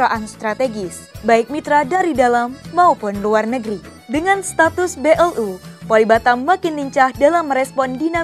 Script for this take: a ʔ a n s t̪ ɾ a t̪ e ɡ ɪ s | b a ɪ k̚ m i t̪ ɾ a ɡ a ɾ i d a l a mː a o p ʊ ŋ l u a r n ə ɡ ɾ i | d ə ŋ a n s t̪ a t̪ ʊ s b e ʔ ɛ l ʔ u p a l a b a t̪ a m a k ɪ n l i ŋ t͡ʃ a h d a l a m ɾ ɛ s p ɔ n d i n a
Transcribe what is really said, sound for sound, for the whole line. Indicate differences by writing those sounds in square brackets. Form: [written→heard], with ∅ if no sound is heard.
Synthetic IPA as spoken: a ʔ a n s t̪ ɾ a t̪ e ɡ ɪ s | b a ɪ k̚ m i t̪ ɾ a [ɡ→d] a ɾ i d a l a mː a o p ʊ [ŋ→n] l u a r n ə ɡ ɾ i | d ə ŋ a n s t̪ a t̪ ʊ s b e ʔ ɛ l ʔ u p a l [a→i] b a t̪ a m a k ɪ n l i [ŋ→ɲ] t͡ʃ a h d a l a m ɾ ɛ s p ɔ n d i n a